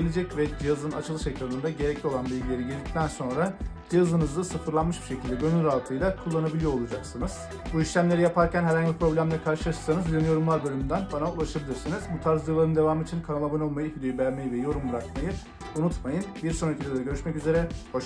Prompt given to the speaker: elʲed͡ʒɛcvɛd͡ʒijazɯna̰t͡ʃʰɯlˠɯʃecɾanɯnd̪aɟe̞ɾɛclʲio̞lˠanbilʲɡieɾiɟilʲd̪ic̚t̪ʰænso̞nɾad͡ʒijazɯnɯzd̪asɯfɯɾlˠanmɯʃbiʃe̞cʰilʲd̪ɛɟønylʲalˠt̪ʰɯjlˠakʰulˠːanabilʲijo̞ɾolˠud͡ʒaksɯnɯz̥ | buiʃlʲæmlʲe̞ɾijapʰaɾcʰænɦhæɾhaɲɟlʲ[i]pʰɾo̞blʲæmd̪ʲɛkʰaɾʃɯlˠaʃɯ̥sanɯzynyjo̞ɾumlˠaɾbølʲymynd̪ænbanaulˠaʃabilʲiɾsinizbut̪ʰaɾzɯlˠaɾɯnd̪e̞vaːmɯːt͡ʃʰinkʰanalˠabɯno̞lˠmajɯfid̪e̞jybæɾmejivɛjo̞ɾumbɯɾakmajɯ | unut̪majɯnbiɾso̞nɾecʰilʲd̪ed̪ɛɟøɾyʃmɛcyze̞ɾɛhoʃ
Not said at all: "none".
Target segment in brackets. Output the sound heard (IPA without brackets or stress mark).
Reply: i